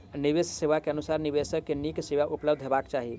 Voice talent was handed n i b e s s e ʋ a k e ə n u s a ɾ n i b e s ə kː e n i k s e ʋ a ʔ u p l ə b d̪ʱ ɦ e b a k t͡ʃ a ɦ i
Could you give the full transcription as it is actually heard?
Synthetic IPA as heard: n i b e s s e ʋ a k e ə n u s a ɾ n i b e s ə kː e n i k s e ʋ a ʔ u p l ə b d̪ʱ ɦ e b a k t͡ʃ a ɦ i